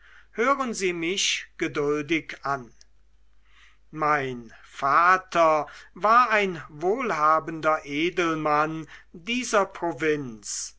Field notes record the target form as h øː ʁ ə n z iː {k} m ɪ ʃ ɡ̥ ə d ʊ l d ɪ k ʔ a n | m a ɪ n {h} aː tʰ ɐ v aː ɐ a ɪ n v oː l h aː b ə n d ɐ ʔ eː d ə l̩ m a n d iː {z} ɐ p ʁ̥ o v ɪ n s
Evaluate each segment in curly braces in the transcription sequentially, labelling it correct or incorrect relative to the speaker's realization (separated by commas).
incorrect, incorrect, correct